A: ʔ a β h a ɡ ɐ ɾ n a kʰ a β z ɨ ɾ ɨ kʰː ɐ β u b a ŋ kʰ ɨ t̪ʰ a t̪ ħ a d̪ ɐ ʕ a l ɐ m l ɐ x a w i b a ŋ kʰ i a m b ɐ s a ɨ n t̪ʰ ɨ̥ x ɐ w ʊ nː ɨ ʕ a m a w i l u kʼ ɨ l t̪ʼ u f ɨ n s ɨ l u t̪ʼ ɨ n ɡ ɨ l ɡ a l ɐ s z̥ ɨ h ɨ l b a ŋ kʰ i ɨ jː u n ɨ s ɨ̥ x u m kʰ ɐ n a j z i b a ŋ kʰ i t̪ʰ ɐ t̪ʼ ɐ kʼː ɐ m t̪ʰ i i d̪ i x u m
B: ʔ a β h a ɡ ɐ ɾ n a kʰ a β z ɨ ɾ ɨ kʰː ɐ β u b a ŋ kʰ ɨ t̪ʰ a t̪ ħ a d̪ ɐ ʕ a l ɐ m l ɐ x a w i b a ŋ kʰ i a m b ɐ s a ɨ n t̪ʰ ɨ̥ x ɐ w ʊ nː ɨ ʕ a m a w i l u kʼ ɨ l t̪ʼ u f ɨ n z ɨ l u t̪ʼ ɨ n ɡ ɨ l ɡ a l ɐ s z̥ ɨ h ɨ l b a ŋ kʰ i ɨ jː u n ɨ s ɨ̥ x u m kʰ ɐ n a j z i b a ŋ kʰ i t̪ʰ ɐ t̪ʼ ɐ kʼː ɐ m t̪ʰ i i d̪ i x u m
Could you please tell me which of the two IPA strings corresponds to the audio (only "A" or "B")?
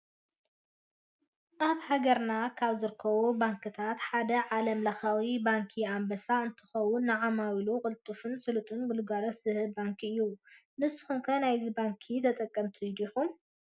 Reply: A